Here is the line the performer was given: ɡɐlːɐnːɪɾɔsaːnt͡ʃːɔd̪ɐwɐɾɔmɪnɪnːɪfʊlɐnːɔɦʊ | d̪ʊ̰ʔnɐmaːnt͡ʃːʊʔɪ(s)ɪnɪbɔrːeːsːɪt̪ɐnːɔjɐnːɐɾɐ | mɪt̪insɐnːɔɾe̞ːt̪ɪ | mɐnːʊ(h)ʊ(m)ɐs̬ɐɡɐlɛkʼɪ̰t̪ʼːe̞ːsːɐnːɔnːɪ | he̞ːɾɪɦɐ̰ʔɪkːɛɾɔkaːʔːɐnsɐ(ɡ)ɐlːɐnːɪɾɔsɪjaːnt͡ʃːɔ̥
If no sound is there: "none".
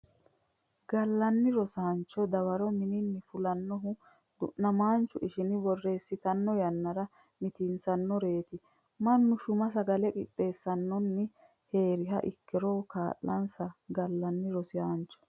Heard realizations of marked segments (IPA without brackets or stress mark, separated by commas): ʃ, ʃ, m, ɡ